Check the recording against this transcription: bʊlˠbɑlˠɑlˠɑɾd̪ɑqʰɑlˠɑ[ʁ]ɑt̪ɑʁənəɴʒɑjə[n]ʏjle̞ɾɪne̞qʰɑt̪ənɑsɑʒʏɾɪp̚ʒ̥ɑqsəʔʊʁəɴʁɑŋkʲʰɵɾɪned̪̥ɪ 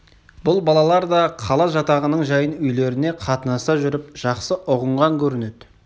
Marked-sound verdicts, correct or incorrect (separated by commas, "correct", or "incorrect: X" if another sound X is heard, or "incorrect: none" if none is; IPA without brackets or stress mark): incorrect: ʒ, correct